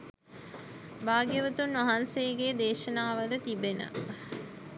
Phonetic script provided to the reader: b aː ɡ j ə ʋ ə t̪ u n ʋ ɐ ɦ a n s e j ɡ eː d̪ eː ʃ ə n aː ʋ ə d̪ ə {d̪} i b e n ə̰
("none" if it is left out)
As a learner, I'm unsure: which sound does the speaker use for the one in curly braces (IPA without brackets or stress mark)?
t̪